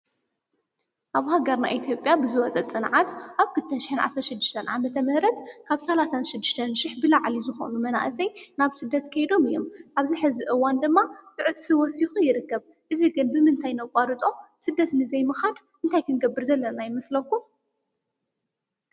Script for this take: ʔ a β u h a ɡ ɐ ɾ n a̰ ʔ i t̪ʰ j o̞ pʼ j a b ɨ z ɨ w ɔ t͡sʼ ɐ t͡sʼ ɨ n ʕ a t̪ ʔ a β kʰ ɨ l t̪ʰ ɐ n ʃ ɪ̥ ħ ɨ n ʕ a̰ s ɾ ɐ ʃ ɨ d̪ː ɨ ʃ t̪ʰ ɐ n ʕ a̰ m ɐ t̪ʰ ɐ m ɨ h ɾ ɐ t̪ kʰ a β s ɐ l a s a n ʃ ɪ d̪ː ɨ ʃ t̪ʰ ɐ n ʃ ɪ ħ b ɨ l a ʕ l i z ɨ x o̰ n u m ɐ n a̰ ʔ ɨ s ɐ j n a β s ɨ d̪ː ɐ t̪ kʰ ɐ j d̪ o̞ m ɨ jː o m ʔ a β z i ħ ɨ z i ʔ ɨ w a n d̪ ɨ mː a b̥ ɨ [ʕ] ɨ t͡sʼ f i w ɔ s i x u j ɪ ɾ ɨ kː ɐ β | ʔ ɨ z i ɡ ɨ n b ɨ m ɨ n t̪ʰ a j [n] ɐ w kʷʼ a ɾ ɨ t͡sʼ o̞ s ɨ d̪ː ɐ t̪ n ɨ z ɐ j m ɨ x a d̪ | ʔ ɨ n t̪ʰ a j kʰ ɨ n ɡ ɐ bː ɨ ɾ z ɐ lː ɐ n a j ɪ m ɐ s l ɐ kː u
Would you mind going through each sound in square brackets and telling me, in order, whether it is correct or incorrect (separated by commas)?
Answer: correct, correct